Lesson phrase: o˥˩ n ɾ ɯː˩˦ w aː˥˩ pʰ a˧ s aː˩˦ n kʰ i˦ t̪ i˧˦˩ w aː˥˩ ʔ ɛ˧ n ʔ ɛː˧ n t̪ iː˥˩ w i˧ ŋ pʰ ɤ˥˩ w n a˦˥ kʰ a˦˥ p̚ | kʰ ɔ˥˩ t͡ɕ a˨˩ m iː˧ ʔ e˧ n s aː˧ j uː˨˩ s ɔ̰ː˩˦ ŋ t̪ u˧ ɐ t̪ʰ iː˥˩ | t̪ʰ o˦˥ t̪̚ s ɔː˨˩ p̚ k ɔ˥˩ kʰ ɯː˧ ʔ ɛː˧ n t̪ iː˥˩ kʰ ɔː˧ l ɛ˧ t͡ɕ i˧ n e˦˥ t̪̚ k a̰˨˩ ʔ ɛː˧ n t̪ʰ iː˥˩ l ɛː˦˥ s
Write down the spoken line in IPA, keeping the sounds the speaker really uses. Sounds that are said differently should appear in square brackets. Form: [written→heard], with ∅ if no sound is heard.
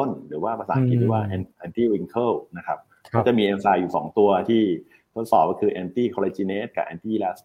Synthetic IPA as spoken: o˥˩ n ɾ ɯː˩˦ w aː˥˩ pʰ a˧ s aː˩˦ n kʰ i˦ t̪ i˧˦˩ w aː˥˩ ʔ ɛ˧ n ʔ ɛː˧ n t̪ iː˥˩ w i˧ ŋ [pʰ→kʰ] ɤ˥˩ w n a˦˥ kʰ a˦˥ p̚ | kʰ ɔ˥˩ t͡ɕ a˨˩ m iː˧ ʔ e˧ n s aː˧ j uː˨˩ s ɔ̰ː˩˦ ŋ t̪ u˧ ɐ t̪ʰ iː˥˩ | t̪ʰ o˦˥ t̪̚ s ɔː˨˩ p̚ k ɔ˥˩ kʰ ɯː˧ ʔ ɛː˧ n t̪ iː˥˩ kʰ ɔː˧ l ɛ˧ t͡ɕ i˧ n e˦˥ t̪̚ k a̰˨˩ ʔ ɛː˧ n [t̪ʰ→t̪] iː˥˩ l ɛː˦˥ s